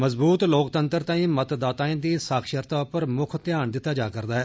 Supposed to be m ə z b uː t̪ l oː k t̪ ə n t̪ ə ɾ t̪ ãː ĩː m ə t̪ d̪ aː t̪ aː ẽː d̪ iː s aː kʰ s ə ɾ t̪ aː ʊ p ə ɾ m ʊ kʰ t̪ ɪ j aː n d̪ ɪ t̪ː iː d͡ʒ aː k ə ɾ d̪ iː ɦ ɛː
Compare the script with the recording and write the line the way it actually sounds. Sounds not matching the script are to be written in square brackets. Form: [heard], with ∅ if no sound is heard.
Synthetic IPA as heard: m ə z b uː t̪ l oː k t̪ ə n t̪ ə ɾ t̪ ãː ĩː m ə t̪ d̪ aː t̪ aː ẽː d̪ iː s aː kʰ [ʃ] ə ɾ t̪ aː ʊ p ə ɾ m ʊ kʰ t̪ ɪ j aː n d̪ ɪ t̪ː [aː] d͡ʒ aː k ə ɾ d̪ [aː] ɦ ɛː

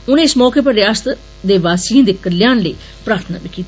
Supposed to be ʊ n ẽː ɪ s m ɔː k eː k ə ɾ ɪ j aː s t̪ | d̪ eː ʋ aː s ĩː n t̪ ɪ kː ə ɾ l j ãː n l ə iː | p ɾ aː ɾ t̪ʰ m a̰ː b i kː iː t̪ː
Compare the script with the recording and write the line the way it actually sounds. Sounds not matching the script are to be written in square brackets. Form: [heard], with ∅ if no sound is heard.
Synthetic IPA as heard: ʊ n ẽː ɪ s m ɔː k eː [p] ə ɾ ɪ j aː s t̪ | d̪ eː ʋ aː s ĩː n [d̪] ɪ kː ə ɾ l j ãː n l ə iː | p ɾ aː ɾ t̪ʰ [n] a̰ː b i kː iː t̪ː

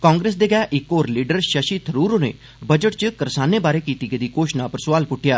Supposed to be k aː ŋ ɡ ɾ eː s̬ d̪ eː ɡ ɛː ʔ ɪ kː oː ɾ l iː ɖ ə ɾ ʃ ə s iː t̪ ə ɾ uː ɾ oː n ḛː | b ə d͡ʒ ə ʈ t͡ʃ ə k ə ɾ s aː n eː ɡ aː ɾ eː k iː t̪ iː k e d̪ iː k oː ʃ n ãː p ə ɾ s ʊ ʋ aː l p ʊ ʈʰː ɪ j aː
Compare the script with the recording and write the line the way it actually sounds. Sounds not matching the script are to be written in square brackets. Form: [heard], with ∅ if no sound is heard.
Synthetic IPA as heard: k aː ŋ ɡ ɾ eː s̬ d̪ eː ɡ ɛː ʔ ɪ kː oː ɾ l iː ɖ ə ɾ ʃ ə [ʃ] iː [t̪ʰ] ə ɾ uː ɾ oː n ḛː | b ə d͡ʒ ə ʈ t͡ʃ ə k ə ɾ s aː n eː [b] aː ɾ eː k iː t̪ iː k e d̪ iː k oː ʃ n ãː p ə ɾ s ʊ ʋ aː l p ʊ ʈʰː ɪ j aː

